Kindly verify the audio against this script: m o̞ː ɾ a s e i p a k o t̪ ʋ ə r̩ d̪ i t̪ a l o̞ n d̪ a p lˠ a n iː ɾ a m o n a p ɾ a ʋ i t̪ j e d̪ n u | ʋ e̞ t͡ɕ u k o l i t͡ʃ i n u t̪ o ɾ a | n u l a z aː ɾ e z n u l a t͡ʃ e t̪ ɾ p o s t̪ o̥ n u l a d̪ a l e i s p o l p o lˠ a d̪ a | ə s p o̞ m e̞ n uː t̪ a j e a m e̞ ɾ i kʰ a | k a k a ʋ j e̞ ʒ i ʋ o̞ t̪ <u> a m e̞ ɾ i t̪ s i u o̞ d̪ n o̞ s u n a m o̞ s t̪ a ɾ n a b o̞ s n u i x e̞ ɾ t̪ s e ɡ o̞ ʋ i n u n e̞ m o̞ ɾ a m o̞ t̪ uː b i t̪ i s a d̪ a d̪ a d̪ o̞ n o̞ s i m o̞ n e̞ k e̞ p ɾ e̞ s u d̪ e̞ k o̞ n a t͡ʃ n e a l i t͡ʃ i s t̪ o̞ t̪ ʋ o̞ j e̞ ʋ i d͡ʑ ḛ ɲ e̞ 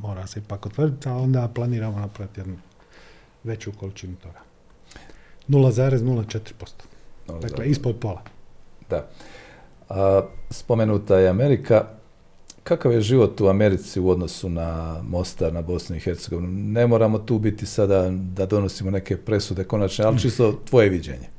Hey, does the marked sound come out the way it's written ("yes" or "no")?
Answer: yes